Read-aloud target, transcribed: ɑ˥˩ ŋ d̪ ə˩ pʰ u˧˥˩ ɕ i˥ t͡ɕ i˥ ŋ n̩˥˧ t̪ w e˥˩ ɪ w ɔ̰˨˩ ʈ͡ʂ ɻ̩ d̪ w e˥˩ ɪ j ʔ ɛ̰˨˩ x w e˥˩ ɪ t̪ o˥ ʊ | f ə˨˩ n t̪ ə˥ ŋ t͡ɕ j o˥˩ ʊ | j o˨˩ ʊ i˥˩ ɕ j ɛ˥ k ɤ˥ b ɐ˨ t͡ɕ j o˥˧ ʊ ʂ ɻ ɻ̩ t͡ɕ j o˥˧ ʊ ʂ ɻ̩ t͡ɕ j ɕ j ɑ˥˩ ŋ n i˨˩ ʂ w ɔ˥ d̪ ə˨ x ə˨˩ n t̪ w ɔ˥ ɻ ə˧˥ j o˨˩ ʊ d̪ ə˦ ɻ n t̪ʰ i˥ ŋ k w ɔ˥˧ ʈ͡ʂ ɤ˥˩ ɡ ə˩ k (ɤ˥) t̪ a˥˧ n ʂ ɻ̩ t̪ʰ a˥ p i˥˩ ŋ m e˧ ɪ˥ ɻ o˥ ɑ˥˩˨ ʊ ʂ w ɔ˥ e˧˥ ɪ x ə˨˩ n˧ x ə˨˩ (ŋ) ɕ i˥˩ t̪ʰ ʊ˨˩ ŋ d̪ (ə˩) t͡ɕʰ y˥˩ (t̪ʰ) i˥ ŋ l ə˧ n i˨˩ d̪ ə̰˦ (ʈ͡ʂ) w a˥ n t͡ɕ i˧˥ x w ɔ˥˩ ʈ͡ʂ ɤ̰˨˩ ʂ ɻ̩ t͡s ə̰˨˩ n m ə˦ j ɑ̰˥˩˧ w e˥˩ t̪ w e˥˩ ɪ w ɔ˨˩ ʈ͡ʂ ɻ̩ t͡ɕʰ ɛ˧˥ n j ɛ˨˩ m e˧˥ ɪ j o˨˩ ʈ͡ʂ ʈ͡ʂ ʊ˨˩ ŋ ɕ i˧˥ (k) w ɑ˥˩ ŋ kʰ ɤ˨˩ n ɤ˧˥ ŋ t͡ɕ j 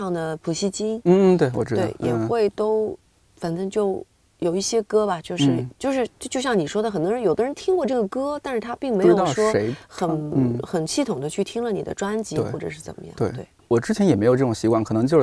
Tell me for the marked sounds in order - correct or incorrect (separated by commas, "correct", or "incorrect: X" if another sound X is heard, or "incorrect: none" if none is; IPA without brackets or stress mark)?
correct, incorrect: n, incorrect: ə˦, correct, correct, correct